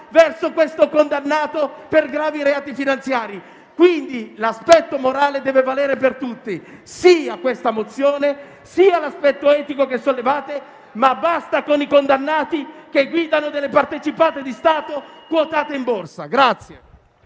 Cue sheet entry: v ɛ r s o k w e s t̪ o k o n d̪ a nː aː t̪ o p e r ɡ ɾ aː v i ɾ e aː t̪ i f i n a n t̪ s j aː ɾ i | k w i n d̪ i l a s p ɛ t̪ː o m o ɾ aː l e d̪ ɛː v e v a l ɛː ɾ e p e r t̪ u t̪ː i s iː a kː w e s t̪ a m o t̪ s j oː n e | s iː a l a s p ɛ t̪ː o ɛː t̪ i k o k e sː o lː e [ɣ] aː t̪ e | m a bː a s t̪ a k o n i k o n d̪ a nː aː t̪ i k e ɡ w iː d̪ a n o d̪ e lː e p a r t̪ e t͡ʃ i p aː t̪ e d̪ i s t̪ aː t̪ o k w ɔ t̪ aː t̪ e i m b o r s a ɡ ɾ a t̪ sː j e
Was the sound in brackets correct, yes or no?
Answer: no